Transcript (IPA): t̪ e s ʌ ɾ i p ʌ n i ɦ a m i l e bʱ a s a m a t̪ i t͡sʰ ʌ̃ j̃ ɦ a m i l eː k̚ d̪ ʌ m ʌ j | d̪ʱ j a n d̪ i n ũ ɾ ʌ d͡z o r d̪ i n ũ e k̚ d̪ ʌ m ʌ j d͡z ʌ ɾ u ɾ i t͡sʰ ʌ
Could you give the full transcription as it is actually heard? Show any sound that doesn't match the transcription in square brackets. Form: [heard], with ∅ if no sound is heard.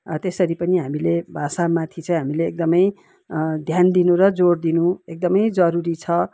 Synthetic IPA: t̪ e s ʌ ɾ i p ʌ n i ɦ a m i l e bʱ a s a m a [t̪ʰ] i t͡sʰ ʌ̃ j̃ ɦ a m i l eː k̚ d̪ ʌ m ʌ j | d̪ʱ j a n d̪ i n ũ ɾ ʌ d͡z o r d̪ i n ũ e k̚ d̪ ʌ m ʌ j d͡z ʌ ɾ u ɾ i t͡sʰ ʌ